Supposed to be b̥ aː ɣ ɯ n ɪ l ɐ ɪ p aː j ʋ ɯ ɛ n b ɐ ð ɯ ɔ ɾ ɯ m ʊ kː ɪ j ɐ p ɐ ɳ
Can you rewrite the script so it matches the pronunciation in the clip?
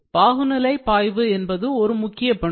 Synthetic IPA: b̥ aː ɣ ɯ n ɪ l ɐ ɪ p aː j ʋ ɯ ɛ n b ɐ ð ɯ ɔ ɾ ɯ m ʊ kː ɪ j ɐ p ɐ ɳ